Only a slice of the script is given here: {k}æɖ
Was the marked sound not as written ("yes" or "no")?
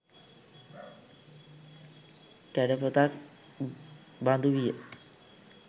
no